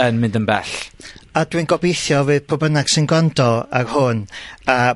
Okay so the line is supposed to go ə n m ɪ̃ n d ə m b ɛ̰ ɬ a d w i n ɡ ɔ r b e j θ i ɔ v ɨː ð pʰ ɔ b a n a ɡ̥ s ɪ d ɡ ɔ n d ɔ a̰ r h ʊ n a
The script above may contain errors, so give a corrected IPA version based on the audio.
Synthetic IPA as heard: ə n m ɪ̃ n d ə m b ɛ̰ ɬ a d w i n ɡ ɔ b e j θ j ɔ v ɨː ð pʰ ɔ b ə n a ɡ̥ s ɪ n ɡ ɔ n d ɔ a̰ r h ʊ n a